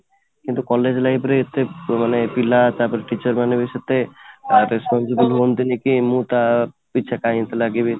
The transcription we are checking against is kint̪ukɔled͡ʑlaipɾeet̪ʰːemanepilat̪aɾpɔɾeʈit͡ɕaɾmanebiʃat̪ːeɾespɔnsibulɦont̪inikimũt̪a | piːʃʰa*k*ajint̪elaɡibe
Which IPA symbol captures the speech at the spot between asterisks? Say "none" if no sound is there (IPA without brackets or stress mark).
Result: k